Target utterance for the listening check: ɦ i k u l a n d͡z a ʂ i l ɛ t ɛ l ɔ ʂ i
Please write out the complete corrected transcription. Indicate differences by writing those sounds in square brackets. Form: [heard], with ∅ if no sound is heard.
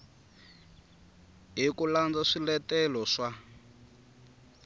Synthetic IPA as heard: ɦ i k u l a n d͡z a ʂ i l ɛ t ɛ l ɔ ʂ [a]

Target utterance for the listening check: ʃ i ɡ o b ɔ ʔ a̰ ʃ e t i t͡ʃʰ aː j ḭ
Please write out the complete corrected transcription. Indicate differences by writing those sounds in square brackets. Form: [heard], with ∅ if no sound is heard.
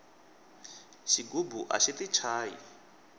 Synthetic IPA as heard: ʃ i ɡ [u] b [u] ʔ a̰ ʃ [i] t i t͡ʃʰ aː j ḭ

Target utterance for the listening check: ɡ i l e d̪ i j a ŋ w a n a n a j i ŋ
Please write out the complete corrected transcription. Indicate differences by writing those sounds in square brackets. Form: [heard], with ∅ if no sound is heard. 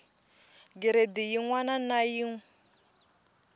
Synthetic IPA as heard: ɡ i [ɾ] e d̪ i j [i] ŋ w a n a n a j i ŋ

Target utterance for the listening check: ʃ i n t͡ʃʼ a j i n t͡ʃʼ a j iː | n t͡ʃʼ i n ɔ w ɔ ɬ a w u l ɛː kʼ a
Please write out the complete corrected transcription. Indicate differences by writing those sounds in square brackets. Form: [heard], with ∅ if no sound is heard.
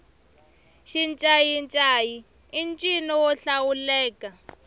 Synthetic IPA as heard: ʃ i n t͡ʃʼ a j i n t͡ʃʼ a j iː | n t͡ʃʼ i n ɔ w ɔ ɬ a w u l ɛː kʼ a

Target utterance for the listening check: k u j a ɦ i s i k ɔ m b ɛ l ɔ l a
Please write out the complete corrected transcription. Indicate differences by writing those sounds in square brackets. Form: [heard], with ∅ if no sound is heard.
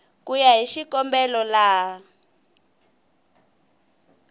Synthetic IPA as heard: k u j a ɦ i [ʃ] i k ɔ m b ɛ l ɔ l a

